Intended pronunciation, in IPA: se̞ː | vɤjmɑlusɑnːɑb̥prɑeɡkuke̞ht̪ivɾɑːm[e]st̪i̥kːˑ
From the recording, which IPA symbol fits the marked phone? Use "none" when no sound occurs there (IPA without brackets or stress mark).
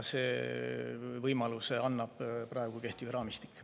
i